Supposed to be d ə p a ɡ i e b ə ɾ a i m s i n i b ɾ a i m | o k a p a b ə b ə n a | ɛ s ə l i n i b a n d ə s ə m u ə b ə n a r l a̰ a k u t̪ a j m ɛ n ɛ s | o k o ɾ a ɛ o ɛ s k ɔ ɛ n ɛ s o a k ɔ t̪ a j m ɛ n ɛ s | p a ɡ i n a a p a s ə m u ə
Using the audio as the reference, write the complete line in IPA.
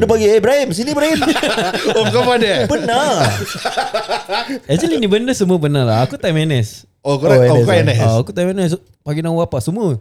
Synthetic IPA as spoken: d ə p a ɡ i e b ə ɾ a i m s i n i b ɾ a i m | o k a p a d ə b ə n a | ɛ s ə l i n i b ə n d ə s ə m u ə b ə n a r l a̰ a k u t̪ a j m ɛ n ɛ s | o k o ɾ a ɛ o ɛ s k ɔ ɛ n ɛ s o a k u t̪ a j m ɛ n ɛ s | p a ɡ i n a a p a s ə m u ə